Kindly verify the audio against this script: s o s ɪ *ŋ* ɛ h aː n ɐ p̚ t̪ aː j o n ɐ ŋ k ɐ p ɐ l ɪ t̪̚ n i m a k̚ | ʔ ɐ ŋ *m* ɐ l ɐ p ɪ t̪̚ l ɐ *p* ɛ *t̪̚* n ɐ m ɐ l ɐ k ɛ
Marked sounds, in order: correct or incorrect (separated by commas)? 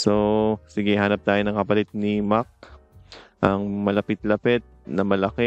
incorrect, correct, correct, correct